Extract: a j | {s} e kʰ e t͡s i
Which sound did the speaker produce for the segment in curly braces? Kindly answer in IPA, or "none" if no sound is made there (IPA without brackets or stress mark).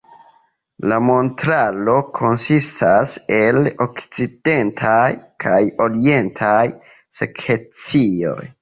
s